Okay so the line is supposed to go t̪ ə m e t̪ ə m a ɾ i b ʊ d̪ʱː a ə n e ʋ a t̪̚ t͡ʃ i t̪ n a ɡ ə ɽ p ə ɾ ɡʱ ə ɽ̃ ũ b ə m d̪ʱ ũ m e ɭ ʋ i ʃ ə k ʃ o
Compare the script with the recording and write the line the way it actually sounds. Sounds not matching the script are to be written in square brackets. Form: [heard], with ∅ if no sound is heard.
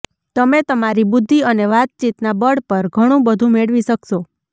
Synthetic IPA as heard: t̪ ə m e t̪ ə m a ɾ i b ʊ d̪ʱː [i] ə n e ʋ a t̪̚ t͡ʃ i t̪ n a [b] ə ɽ p ə ɾ ɡʱ ə ɽ̃ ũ b ə [∅] d̪ʱ ũ m e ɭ ʋ i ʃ ə k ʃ o